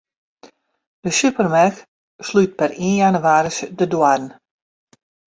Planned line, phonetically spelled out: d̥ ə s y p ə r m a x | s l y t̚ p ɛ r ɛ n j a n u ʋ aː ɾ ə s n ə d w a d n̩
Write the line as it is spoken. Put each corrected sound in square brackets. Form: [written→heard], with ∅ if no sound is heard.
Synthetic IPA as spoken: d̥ ə s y p ə r m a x | s l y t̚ p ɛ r [ɛ→i] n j a n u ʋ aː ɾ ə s [n→d] ə d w a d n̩